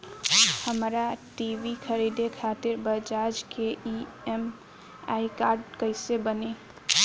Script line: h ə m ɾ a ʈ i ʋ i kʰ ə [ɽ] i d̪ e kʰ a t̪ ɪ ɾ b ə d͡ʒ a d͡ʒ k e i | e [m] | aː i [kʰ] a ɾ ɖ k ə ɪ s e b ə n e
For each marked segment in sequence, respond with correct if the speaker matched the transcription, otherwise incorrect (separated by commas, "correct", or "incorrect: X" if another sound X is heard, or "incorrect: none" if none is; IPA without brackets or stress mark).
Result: incorrect: ɾ, correct, incorrect: k